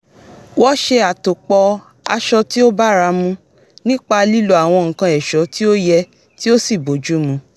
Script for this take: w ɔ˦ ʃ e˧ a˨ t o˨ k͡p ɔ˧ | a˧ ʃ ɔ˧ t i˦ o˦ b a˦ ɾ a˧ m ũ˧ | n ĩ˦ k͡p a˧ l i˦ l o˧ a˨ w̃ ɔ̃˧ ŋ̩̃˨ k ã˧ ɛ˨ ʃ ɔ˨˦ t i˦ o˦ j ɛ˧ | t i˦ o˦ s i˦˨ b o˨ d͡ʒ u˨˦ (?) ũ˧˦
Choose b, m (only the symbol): m